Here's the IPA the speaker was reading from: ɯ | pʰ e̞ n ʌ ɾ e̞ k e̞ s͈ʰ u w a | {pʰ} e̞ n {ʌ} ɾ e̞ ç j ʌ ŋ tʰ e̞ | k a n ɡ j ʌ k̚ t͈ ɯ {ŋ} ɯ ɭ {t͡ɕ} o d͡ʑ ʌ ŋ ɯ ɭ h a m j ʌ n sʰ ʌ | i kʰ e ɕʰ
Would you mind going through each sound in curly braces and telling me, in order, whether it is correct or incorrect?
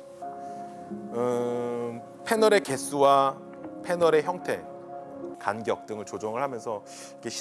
correct, correct, correct, correct

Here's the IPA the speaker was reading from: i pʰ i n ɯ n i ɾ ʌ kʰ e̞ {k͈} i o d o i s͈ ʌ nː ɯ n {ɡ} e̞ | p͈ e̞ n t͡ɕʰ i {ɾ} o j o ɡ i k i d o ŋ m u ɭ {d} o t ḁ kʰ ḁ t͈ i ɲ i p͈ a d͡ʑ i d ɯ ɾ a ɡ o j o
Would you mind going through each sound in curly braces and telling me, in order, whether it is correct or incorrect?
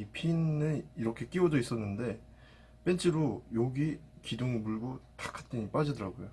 correct, incorrect: d, correct, incorrect: ɡ

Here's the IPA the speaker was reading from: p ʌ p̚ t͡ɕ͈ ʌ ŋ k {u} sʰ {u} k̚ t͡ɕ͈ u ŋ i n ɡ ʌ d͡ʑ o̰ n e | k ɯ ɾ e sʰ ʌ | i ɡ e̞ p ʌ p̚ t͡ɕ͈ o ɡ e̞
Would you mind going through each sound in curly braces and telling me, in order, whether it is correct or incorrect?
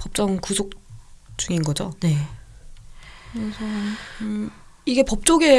correct, incorrect: o

